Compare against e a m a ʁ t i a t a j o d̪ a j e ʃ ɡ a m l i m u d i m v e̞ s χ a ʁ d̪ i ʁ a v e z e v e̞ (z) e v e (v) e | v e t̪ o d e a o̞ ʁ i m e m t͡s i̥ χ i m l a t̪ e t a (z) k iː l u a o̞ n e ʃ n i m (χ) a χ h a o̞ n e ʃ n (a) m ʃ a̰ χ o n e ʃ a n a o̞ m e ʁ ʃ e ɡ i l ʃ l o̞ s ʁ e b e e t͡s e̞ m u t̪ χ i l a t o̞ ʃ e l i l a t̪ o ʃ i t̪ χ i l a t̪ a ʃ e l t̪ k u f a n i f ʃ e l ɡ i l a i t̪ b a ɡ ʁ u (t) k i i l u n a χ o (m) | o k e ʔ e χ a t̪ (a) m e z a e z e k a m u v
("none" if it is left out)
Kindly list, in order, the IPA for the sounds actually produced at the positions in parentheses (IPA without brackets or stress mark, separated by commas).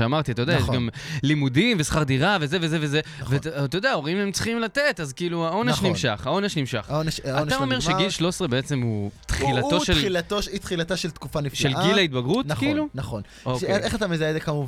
z, z, z, ʃ, i, t, n, a